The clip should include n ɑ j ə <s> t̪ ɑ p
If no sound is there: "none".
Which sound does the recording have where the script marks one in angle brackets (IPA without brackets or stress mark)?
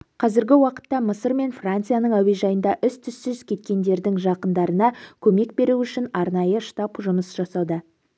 ʃ